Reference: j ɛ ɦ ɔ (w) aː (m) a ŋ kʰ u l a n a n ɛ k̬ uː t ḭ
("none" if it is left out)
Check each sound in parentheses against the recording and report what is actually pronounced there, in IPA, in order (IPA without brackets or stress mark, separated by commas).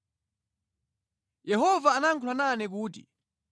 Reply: v, n